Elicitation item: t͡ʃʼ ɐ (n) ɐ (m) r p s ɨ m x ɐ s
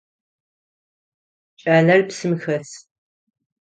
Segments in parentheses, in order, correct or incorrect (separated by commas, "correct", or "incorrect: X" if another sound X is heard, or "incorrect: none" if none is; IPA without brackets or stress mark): correct, incorrect: none